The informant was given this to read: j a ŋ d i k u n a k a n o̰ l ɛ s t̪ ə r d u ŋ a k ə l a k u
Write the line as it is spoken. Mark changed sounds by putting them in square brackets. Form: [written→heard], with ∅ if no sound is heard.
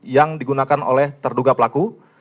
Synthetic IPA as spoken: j a ŋ d i [k→ɡ] u n a k a n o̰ l ɛ [s→h] t̪ ə r d u [ŋ→ɡ] a [k→p] ə l a k u